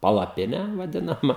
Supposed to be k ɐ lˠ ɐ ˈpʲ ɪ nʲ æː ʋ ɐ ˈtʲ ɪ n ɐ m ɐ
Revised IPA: p ɐ lˠ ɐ ˈpʲ ɪ nʲ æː ʋ ɐ ˈdʲ ɪ n ɐ m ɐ